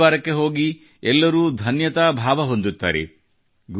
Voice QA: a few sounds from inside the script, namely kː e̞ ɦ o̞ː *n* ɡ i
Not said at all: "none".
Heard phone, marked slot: none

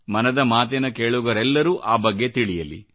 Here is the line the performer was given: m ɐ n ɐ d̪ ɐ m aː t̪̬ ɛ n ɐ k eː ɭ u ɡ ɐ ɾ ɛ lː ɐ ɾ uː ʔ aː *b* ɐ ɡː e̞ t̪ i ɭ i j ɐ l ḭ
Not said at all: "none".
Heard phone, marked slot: b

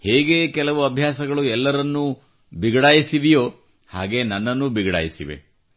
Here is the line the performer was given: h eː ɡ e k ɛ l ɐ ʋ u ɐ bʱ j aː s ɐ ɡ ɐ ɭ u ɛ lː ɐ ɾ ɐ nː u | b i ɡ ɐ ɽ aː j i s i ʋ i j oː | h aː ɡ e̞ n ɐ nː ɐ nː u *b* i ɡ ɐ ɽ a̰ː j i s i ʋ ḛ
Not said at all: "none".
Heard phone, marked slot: b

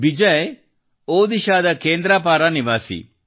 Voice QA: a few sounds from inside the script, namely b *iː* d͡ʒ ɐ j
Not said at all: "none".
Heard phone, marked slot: i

